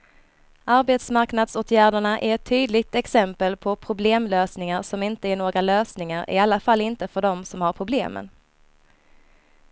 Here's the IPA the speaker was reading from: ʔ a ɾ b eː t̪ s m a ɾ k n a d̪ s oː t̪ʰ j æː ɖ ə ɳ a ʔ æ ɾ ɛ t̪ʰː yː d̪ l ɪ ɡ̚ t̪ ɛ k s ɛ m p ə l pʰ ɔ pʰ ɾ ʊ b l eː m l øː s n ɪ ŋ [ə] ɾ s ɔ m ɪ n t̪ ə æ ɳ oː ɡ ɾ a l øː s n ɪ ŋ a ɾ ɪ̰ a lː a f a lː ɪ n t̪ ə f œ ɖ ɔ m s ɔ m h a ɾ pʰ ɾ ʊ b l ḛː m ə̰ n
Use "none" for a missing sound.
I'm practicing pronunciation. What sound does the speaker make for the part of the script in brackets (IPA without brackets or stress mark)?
a